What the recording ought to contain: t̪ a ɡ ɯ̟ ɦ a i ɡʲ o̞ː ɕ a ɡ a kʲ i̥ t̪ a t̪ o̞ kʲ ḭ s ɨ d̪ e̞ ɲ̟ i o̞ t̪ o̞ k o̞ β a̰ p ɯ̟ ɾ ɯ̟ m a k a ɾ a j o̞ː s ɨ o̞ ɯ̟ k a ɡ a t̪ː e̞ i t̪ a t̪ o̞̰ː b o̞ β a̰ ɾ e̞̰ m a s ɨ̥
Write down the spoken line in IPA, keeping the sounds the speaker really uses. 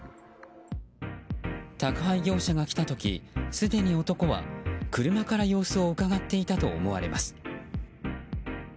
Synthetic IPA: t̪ a k ɯ̟ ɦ a i ɡʲ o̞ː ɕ a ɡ a kʲ i̥ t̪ a t̪ o̞ kʲ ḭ s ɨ d̪ e̞ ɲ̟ i o̞ t̪ o̞ k o̞ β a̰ k ɯ̟ ɾ ɯ̟ m a k a ɾ a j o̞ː s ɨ o̞ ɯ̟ k a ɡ a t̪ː e̞ i t̪ a t̪ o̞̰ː m o̞ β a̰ ɾ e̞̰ m a s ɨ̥